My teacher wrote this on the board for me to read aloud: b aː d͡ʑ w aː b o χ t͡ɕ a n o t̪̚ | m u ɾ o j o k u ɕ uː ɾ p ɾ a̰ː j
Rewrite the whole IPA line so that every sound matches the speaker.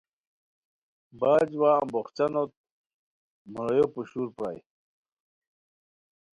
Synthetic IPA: b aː d͡ʑ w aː b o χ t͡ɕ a n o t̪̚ | m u ɾ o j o p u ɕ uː ɾ p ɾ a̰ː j